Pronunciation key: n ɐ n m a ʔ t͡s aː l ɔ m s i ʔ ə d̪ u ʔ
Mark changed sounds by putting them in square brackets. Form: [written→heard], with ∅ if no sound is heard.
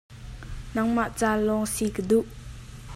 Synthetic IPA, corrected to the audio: n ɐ [n→ŋ] m a ʔ t͡s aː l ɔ [m→ŋ] s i [ʔ→k] ə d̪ u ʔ